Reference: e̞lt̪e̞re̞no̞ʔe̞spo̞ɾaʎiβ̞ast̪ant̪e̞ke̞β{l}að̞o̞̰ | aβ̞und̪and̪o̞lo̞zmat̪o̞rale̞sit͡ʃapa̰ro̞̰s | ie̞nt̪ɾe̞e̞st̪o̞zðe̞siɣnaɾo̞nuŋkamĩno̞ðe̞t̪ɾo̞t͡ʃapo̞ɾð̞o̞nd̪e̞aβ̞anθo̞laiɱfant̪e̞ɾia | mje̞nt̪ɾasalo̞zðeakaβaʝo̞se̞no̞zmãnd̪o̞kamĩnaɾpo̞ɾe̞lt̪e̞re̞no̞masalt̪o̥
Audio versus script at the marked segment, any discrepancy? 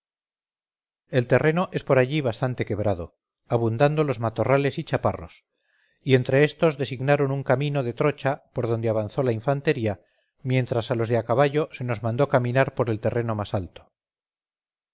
yes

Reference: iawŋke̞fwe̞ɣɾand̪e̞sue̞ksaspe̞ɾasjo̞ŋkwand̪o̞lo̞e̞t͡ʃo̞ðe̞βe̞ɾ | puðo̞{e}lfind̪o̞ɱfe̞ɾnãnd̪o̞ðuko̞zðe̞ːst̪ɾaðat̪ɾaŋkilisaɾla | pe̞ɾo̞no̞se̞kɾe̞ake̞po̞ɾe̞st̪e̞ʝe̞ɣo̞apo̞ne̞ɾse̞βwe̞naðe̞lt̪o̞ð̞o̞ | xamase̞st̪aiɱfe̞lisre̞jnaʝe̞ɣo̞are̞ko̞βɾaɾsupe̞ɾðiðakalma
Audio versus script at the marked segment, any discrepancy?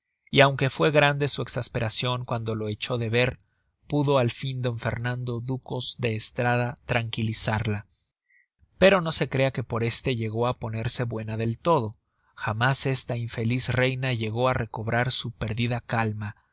yes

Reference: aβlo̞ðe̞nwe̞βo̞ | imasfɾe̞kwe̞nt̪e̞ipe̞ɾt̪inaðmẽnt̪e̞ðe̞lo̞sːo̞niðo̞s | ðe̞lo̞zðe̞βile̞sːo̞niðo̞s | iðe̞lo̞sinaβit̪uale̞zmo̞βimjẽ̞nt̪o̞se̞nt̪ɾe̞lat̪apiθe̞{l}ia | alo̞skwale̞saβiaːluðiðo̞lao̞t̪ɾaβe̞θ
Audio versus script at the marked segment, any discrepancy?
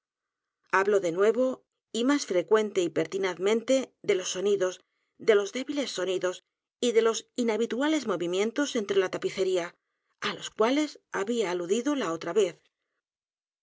yes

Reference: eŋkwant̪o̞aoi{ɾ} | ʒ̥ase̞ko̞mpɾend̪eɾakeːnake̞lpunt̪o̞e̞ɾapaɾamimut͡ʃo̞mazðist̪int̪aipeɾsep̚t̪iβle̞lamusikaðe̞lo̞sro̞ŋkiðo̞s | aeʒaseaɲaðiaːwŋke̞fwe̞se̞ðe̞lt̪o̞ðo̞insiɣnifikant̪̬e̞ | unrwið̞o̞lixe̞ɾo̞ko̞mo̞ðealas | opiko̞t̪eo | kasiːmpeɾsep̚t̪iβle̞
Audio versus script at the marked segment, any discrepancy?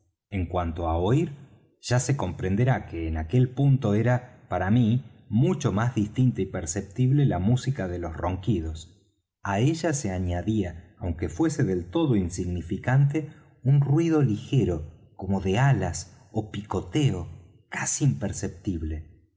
no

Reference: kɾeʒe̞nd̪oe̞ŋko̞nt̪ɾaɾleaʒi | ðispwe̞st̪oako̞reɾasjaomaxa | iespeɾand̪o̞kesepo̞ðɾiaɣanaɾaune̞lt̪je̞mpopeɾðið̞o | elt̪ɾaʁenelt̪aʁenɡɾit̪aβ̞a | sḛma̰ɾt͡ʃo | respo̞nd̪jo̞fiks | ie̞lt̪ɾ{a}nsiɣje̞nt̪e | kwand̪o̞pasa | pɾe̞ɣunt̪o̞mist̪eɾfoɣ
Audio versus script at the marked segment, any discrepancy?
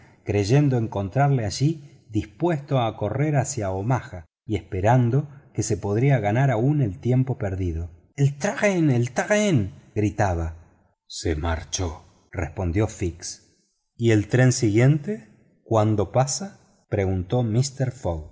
yes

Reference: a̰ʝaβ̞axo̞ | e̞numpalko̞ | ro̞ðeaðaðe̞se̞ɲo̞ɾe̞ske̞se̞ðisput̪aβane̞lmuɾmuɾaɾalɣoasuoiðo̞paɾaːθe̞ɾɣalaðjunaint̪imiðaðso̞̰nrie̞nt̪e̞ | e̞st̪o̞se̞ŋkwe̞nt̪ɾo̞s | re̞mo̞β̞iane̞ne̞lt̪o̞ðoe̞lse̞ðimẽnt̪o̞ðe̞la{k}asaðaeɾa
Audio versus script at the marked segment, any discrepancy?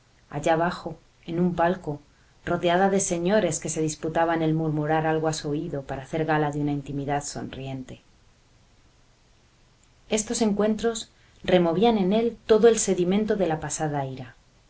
yes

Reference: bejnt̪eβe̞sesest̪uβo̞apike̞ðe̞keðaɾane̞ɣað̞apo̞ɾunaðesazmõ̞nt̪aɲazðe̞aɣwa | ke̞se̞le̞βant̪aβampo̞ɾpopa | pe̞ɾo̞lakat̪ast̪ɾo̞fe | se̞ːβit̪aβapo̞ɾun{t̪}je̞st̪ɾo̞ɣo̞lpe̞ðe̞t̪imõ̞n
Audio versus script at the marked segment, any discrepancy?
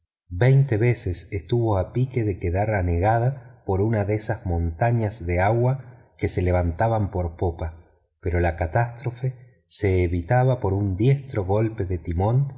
yes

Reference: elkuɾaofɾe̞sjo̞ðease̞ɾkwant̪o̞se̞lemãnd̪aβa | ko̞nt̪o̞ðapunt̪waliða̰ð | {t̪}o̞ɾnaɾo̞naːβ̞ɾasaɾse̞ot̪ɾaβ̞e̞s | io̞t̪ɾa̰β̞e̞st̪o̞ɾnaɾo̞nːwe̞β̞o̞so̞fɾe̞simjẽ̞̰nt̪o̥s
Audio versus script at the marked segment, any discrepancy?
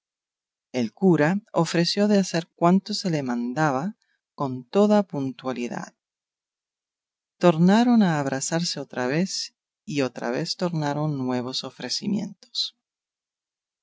no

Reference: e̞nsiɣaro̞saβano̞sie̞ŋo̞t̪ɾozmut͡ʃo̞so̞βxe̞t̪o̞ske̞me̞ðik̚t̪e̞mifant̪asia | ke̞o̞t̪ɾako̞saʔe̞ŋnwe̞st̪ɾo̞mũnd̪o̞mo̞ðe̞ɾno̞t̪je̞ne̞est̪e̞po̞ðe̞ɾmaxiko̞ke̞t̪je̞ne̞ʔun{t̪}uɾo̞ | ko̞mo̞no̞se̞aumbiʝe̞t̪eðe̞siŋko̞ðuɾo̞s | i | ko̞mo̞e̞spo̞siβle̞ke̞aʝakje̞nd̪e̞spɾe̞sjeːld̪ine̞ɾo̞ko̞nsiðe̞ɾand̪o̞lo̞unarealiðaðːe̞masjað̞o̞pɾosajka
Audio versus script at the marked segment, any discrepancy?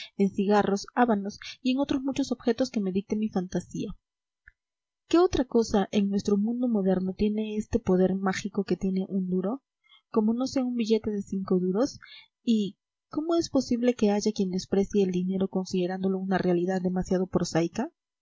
yes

